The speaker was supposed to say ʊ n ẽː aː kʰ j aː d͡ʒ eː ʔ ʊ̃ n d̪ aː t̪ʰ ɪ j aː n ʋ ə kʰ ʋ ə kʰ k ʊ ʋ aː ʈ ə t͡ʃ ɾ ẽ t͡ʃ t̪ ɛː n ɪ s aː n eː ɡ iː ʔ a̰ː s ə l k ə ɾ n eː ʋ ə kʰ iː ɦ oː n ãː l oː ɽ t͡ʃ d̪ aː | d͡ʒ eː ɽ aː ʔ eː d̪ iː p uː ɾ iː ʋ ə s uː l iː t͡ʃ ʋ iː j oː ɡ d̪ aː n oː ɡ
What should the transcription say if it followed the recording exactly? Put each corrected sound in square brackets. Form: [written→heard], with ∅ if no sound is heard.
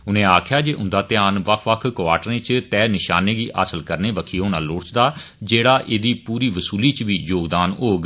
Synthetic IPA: ʊ n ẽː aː kʰ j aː d͡ʒ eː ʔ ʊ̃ n d̪ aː [t̪ʰ→t̪] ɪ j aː n ʋ ə kʰ ʋ ə kʰ k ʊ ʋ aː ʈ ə [t͡ʃ→∅] ɾ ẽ t͡ʃ t̪ ɛː n ɪ [s→ʃ] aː n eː ɡ iː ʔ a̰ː s ə l k ə ɾ n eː ʋ ə kʰ iː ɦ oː n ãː l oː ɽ t͡ʃ d̪ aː | d͡ʒ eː ɽ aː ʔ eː d̪ iː p uː ɾ iː ʋ ə s uː l iː t͡ʃ ʋ iː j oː ɡ d̪ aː n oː ɡ